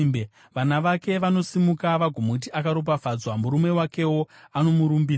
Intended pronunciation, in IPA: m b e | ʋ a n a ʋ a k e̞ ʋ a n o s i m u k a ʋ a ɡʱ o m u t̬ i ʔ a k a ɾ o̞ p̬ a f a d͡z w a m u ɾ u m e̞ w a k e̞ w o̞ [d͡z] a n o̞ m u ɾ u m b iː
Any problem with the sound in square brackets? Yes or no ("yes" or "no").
yes